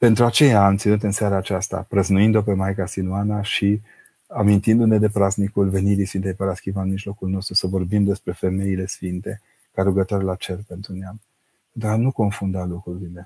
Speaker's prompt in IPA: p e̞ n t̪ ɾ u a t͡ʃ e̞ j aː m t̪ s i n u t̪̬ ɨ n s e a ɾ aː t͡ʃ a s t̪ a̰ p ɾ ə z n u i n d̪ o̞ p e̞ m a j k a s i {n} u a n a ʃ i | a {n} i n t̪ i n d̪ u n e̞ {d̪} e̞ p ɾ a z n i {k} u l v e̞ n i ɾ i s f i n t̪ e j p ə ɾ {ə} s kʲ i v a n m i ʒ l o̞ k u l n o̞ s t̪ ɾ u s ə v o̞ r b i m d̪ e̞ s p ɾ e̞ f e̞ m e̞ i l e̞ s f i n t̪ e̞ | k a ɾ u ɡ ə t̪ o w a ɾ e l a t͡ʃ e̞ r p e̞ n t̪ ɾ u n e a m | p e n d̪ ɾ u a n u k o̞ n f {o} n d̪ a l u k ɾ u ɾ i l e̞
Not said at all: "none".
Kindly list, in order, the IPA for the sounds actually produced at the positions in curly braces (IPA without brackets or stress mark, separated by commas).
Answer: n, m, d̪, k, a, u